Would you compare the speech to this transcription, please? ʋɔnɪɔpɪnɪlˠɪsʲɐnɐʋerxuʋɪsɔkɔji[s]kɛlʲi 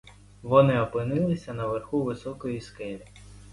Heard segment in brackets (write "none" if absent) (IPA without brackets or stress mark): s